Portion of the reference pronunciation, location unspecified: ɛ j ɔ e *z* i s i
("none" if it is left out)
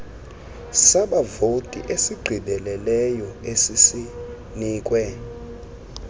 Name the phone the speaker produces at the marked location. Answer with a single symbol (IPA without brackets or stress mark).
s